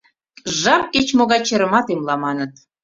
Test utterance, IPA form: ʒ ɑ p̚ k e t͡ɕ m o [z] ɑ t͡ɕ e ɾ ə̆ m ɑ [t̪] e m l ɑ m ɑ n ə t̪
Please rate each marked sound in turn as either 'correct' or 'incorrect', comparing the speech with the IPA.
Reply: incorrect: ɣ, correct

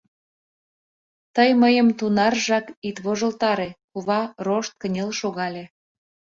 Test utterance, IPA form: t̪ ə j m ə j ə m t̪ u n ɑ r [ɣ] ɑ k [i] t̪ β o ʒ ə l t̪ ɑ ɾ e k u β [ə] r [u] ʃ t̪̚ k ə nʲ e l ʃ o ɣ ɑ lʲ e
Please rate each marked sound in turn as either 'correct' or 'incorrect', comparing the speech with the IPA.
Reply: incorrect: ʒ, correct, incorrect: ɑ, incorrect: o

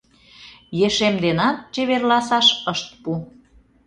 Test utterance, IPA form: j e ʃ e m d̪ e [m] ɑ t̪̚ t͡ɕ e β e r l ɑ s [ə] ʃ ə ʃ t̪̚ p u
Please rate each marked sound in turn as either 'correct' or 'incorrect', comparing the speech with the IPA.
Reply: incorrect: n, incorrect: ɑ

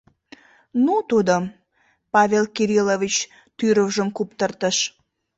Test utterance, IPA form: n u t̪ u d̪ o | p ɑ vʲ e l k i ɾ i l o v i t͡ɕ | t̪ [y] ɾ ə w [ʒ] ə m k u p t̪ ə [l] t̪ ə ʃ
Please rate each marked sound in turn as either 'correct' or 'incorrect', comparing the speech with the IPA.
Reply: correct, correct, incorrect: r

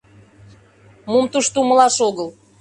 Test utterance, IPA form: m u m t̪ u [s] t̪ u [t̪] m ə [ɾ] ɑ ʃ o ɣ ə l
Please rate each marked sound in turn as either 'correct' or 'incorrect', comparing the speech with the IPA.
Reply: incorrect: ʃ, incorrect: none, incorrect: l

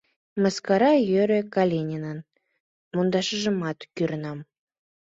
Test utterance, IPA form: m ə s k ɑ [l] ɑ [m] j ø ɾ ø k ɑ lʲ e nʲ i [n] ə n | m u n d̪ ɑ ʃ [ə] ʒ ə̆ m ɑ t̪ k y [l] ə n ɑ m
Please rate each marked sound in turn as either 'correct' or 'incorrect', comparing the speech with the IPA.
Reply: incorrect: ɾ, incorrect: none, correct, correct, incorrect: ɾ

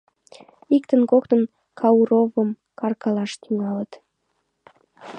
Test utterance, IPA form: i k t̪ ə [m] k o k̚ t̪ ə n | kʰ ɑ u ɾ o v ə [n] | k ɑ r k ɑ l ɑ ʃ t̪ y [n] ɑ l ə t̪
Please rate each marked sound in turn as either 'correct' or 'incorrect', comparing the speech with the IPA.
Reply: incorrect: n, incorrect: m, incorrect: ŋ

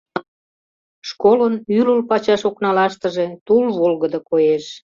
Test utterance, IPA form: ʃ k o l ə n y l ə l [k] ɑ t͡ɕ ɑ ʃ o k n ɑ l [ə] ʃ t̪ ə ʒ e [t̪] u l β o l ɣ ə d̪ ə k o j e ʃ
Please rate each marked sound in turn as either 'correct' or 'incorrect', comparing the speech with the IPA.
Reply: incorrect: p, incorrect: ɑ, correct

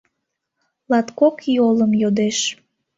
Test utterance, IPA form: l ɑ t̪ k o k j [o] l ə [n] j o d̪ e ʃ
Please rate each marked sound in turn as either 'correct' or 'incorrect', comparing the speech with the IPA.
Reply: correct, incorrect: m

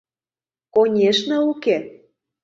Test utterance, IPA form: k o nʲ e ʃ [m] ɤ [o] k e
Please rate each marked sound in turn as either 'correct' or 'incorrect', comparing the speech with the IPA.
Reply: incorrect: n, incorrect: u

